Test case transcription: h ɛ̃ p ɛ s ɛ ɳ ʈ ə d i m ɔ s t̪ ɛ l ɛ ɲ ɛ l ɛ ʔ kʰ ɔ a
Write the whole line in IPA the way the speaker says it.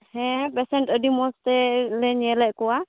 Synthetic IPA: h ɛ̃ p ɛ s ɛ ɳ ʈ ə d i m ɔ s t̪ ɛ l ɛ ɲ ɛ l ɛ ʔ k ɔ a